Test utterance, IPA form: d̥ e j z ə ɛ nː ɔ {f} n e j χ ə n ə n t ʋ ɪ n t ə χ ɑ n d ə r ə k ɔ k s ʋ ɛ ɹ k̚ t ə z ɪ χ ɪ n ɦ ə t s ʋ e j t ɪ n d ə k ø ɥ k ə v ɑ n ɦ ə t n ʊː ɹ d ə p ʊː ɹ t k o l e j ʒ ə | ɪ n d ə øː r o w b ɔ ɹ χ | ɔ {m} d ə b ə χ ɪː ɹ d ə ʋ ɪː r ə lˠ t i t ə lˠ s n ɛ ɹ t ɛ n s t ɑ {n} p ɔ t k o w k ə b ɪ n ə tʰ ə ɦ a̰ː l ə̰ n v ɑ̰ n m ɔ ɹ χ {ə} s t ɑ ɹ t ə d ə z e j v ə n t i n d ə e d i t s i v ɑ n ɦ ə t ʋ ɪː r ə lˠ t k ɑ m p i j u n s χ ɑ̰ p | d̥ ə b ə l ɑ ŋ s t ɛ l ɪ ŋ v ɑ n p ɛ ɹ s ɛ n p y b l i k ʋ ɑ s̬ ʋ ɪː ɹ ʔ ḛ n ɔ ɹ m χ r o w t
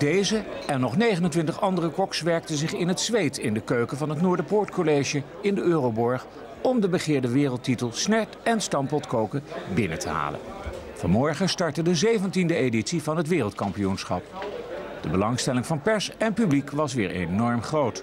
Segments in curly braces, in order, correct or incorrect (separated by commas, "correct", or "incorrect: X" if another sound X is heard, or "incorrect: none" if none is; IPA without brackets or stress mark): incorrect: χ, correct, incorrect: m, correct